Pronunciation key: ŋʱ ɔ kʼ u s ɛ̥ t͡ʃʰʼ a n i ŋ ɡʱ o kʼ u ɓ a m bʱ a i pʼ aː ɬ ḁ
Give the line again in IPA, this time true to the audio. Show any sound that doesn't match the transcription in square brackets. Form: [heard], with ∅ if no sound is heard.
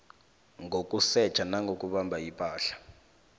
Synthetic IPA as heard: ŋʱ [o] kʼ u s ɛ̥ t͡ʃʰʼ a n [a] ŋ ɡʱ o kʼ u ɓ a m bʱ a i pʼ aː ɬ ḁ